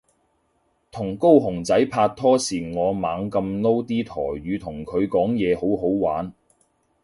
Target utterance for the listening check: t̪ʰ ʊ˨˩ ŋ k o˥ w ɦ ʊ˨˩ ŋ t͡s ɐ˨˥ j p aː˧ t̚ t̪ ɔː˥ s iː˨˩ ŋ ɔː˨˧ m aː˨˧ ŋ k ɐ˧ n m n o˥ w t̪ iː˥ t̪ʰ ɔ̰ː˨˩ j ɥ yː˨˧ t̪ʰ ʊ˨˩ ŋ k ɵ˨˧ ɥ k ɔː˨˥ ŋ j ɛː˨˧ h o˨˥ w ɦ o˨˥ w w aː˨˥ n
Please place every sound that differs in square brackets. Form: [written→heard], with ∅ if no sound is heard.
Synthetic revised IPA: t̪ʰ ʊ˨˩ ŋ k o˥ w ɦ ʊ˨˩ ŋ t͡s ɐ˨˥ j [p→pʰ] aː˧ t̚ [t̪→t̪ʰ] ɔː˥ s iː˨˩ ŋ ɔː˨˧ m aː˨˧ ŋ k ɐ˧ [n→∅] m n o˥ w t̪ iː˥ t̪ʰ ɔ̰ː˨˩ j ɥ yː˨˧ t̪ʰ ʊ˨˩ ŋ [k→kʰ] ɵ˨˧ ɥ k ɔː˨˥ ŋ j ɛː˨˧ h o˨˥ w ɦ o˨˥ w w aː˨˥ n